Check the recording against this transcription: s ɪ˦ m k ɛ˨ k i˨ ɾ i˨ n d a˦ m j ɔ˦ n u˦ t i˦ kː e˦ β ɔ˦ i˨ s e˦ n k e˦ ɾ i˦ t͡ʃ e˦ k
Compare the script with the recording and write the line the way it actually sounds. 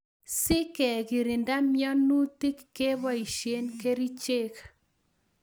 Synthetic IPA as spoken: s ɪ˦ k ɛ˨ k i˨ ɾ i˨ n d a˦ m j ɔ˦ n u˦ t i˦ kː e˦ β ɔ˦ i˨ ʃ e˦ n k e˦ ɾ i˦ t͡ʃ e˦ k